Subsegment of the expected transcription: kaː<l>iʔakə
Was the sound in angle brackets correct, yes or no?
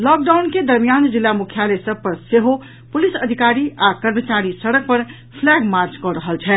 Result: no